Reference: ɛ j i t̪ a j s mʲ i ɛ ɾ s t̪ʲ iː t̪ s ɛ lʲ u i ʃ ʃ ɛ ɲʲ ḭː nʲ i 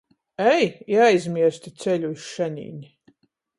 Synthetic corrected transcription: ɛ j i a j z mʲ i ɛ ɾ s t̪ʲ i t̪ s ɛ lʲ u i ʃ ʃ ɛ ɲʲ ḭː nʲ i